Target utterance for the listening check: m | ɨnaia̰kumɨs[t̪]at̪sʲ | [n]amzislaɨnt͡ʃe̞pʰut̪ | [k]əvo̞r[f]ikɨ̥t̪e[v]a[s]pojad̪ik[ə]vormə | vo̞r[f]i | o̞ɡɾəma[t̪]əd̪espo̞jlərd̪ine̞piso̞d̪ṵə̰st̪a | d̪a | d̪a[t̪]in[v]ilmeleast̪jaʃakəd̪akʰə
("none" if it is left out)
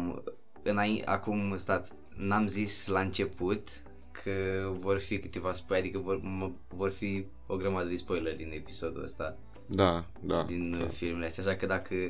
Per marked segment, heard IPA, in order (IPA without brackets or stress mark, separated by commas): t̪, n, kʰ, f, v, s, ə, f, d̪, d̪, f